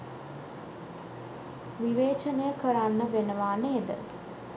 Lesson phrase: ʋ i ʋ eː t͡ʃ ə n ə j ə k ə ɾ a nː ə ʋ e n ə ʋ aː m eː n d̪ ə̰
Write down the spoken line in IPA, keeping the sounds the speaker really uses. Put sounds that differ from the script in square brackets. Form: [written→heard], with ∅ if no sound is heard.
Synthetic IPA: ʋ i ʋ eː t͡ʃ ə n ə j ə k ə ɾ a nː ə ʋ e n ə ʋ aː [m→n] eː [n→∅] d̪ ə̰

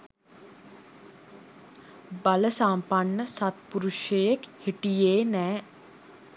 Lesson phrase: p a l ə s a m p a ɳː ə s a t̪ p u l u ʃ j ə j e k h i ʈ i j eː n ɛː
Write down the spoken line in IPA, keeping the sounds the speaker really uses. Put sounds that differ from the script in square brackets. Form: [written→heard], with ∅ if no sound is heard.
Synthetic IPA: [p→b] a l ə s a m p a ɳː ə s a t̪ p u [l→ɾ] u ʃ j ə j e k h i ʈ i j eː n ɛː

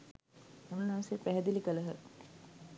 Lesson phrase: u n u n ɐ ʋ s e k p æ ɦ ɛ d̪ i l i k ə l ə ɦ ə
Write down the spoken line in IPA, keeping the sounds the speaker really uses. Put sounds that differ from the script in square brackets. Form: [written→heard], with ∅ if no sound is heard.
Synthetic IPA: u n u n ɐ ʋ s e [k→∅] p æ ɦ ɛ d̪ i l i k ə l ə ɦ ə

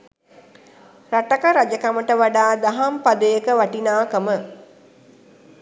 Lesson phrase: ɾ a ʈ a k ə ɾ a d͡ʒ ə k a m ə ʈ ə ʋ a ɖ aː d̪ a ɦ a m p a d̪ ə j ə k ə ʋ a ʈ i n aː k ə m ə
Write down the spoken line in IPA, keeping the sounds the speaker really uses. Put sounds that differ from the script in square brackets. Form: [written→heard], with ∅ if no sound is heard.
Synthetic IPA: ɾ a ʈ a k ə ɾ a d͡ʒ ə k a m ə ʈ ə ʋ a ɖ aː d̪ a ɦ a m p a d̪ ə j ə k ə ʋ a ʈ i n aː k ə m ə

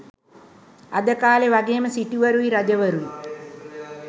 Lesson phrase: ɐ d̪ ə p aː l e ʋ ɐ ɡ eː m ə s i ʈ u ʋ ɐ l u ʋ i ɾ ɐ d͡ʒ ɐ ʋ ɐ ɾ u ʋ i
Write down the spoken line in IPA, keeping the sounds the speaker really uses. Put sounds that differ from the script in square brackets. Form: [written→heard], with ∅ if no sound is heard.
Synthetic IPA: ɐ d̪ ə [p→k] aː l e ʋ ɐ ɡ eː m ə s i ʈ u ʋ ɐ [l→ɾ] u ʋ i ɾ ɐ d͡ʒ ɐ ʋ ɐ ɾ u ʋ i

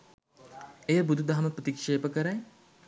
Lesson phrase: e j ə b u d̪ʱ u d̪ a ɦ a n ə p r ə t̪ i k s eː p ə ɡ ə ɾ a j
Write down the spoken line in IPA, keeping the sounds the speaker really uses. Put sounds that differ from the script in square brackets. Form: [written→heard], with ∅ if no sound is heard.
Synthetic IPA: e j ə b u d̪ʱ u d̪ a ɦ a [n→m] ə p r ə t̪ i k [s→ʂ] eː p ə [ɡ→k] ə ɾ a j

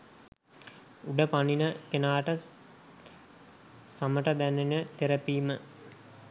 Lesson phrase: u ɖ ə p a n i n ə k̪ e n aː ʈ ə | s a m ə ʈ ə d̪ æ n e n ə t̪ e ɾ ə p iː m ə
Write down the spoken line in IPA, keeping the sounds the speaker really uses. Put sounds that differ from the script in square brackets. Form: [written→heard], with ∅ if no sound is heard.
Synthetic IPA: u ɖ ə p a n i n ə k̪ e n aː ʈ ə | s a m ə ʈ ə d̪ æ n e n ə t̪ e ɾ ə p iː m ə

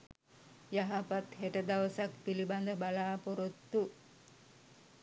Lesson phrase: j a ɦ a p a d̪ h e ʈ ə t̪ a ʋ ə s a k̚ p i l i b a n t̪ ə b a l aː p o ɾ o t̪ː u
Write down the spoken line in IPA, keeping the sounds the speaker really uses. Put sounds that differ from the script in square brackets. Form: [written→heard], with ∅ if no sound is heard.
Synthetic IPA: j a ɦ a p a [d̪→t̪] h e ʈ ə [t̪→d̪] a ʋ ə s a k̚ p i l i b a n [t̪→d̪] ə b a l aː p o ɾ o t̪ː u

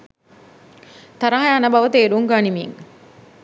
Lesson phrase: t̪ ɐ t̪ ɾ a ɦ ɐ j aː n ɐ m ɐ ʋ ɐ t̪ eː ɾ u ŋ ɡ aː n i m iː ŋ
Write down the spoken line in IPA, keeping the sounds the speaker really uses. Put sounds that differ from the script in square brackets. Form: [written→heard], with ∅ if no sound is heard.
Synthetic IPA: t̪ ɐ [t̪→∅] ɾ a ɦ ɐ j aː n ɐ [m→b] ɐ ʋ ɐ t̪ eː ɾ u ŋ ɡ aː n i m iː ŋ

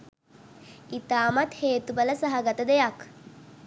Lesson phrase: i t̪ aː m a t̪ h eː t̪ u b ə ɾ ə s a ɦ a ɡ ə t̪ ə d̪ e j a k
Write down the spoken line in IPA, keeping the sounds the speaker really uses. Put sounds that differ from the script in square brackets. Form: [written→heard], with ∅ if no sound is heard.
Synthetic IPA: i t̪ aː m a t̪ h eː t̪ u b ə [ɾ→l] ə s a ɦ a ɡ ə t̪ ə d̪ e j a k

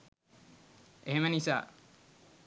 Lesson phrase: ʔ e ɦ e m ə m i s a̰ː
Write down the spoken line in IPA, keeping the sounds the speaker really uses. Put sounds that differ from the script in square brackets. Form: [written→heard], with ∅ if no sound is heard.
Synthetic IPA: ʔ e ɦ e m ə [m→n] i s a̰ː

